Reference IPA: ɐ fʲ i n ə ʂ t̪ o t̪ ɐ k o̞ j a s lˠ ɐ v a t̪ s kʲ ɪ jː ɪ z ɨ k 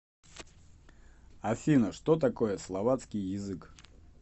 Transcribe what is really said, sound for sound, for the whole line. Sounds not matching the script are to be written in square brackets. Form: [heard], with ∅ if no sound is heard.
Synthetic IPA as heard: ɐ fʲ i n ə ʂ t̪ o t̪ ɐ k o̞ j [ə] s lˠ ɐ v a t̪ s kʲ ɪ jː ɪ z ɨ k